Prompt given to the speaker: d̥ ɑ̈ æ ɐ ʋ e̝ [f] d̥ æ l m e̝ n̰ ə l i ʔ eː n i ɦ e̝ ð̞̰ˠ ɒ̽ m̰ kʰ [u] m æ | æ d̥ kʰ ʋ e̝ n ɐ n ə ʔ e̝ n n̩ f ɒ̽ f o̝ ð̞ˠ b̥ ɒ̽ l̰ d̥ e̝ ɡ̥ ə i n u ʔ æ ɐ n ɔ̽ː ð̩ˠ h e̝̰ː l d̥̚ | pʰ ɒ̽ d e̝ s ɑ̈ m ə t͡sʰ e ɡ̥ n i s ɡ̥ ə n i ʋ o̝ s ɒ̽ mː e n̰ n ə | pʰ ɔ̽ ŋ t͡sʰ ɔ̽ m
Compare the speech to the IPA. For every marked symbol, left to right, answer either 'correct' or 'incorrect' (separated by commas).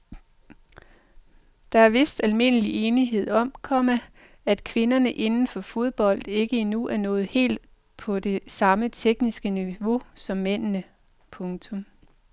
incorrect, incorrect